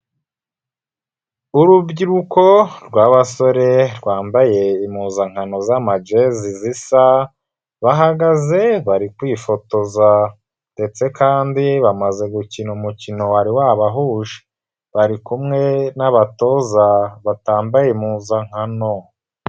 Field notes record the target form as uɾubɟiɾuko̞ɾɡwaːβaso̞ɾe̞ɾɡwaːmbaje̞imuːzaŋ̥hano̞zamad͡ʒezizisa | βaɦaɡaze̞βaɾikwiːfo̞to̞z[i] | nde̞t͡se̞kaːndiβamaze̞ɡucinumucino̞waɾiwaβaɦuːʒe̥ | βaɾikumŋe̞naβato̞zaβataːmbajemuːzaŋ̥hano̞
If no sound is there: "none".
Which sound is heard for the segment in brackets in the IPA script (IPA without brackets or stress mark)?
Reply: a